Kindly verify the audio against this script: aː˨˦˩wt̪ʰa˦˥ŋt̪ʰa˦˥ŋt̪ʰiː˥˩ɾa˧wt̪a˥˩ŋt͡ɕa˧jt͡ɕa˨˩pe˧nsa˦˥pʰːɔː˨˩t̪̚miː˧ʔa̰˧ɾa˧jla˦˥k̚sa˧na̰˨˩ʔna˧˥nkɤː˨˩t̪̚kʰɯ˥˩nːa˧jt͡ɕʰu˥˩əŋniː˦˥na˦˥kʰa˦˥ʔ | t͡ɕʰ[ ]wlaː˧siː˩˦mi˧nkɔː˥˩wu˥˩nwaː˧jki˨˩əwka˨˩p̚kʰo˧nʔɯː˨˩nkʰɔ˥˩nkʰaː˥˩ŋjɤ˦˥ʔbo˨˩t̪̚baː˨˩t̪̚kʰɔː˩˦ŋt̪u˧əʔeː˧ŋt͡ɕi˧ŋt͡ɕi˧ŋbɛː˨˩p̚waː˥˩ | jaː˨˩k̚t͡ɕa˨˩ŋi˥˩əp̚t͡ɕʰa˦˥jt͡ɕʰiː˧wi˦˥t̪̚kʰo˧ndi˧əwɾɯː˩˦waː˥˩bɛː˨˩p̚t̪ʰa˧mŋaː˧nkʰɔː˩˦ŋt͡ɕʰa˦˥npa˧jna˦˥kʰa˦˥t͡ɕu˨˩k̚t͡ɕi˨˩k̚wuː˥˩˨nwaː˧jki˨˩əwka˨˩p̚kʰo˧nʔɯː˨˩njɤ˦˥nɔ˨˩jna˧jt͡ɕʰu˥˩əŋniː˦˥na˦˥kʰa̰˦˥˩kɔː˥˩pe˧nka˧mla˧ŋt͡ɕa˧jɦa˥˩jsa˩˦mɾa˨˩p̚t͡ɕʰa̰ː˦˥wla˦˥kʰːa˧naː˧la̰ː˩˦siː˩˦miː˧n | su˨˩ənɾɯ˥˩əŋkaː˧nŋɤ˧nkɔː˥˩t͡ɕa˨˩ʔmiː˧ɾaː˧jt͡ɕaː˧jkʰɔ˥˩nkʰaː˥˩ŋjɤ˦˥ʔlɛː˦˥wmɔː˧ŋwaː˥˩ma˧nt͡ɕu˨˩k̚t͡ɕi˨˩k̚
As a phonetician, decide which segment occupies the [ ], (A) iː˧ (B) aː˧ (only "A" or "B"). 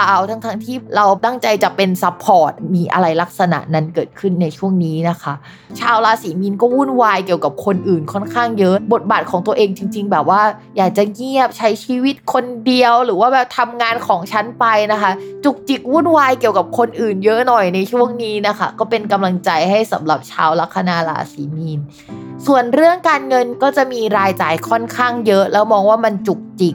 B